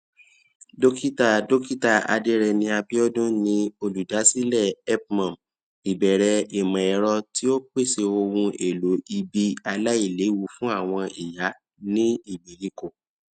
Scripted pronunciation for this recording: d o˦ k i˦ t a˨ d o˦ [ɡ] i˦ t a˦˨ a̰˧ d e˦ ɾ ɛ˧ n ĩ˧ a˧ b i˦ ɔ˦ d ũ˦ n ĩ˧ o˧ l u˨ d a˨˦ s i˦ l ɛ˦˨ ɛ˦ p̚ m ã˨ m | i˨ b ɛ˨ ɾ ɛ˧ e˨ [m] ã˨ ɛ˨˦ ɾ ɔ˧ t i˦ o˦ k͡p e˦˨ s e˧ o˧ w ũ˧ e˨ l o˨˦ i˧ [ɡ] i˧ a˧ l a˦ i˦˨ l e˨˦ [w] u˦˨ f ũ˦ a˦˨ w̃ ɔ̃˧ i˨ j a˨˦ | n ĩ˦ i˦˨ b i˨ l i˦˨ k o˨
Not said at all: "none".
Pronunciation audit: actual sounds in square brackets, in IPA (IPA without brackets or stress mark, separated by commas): k, m, b, w